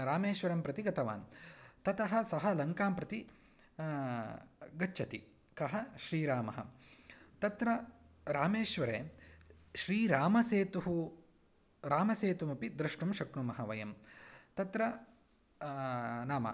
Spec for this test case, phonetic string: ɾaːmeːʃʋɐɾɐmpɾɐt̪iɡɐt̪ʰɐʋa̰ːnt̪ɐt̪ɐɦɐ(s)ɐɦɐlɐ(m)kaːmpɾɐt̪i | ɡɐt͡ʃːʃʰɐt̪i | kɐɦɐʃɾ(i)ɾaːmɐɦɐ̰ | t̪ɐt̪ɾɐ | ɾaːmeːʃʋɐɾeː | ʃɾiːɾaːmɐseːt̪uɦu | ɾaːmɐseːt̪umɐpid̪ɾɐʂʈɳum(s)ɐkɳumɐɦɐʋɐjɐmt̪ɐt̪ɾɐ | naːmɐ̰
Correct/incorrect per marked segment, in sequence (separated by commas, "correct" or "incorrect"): correct, incorrect, incorrect, incorrect